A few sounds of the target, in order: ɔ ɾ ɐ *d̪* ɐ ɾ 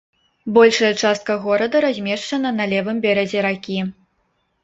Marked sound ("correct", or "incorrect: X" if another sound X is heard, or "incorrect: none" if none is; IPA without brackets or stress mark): correct